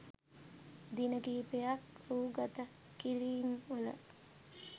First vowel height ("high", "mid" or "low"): high